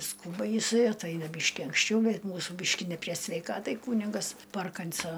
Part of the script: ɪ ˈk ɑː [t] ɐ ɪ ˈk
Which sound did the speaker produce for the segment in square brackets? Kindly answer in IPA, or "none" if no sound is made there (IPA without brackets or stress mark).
t